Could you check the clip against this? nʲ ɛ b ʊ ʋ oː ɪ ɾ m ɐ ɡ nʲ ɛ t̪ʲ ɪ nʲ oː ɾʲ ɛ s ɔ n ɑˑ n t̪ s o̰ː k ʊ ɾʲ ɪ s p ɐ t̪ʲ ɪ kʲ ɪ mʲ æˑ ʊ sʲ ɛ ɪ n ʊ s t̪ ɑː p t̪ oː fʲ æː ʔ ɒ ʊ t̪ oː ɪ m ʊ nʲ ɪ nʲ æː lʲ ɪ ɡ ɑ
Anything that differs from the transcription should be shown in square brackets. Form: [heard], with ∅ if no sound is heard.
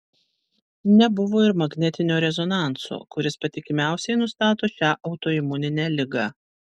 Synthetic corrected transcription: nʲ ɛ b ʊ ʋ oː ɪ ɾ m ɐ ɡ nʲ ɛ t̪ʲ ɪ nʲ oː ɾʲ ɛ [z] ɔ n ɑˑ n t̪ s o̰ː k ʊ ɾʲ ɪ s p ɐ t̪ʲ ɪ kʲ ɪ mʲ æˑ ʊ sʲ ɛ ɪ n ʊ s t̪ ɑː [∅] t̪ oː [ʃʲ] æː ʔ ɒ ʊ t̪ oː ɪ m ʊ nʲ ɪ nʲ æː lʲ ɪ ɡ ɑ